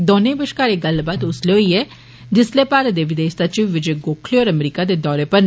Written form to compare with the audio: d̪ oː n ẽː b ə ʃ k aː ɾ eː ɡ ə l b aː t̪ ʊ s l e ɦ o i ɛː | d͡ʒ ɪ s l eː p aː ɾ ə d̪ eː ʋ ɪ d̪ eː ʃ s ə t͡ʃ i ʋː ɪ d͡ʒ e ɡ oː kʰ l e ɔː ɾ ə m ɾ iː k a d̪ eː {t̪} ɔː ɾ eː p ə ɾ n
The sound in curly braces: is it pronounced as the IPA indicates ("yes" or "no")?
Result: no